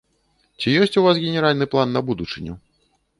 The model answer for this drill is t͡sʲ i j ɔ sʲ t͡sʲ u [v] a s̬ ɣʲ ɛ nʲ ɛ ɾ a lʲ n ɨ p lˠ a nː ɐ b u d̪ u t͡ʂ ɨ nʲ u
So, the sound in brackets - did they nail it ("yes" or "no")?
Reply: yes